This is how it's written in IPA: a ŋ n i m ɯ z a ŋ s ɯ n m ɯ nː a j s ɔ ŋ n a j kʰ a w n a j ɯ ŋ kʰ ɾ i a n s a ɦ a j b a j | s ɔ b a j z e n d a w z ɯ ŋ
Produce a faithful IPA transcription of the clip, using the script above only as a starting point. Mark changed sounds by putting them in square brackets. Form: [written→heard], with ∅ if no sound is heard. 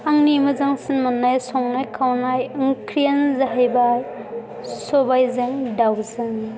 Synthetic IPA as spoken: a ŋ n i m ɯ z a ŋ s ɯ n m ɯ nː a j s ɔ ŋ n a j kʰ a w n a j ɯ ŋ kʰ ɾ i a n [s→z] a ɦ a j b a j | s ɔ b a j z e [n→ŋ] d a w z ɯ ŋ